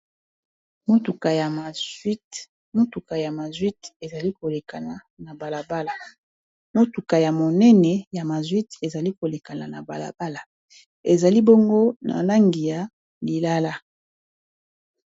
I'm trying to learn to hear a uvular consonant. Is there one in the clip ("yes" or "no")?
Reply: no